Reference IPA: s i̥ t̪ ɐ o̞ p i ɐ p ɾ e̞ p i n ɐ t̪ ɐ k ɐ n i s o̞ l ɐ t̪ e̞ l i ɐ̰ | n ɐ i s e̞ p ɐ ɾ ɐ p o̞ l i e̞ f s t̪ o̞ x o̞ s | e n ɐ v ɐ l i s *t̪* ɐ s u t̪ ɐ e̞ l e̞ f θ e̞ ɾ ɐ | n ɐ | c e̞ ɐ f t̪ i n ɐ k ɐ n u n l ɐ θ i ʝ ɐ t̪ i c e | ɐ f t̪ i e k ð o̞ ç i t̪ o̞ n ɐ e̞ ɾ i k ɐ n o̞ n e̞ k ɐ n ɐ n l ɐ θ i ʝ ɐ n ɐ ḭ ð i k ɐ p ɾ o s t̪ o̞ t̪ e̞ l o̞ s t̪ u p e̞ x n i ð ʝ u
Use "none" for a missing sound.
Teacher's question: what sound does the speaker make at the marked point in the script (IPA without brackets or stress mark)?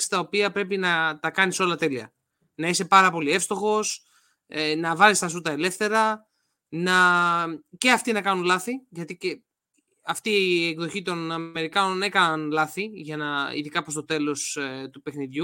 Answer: t̪